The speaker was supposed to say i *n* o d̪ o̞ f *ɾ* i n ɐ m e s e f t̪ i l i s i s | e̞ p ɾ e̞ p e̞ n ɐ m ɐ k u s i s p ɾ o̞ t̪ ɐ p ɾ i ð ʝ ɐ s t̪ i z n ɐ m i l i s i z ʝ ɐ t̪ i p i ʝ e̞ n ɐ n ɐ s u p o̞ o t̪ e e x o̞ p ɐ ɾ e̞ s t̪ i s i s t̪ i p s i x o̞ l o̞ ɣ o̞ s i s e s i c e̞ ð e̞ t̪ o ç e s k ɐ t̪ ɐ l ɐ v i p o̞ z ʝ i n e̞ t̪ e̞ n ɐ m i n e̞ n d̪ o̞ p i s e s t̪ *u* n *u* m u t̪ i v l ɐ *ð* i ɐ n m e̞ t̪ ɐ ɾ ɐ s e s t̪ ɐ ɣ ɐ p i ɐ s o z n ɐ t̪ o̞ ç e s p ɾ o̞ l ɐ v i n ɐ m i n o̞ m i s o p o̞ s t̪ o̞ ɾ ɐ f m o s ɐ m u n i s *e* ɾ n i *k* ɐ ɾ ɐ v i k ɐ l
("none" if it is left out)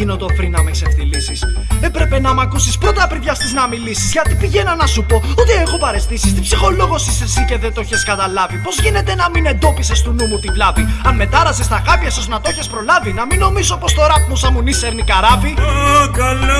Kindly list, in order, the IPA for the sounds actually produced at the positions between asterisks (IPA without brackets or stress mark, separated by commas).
n, ɾ, u, u, v, e, k